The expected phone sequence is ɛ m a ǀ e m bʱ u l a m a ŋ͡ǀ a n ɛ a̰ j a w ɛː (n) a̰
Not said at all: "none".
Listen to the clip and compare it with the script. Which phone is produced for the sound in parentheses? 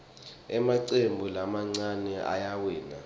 n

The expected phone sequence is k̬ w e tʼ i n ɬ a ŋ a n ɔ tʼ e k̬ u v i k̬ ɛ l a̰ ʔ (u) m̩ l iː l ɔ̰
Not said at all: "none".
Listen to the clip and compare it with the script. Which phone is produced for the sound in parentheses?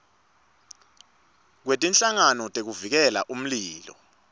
u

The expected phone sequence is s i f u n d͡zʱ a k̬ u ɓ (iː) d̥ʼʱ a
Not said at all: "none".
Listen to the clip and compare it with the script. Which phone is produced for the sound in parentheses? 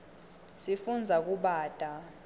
aː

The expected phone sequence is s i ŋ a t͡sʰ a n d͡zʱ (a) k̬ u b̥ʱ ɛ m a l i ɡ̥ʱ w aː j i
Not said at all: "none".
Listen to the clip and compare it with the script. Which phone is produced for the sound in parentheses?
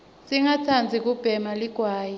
i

